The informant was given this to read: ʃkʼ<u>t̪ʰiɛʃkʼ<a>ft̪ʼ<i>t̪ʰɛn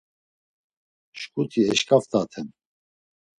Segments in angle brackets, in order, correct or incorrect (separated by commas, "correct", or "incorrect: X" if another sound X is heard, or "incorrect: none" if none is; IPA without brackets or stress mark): correct, correct, incorrect: a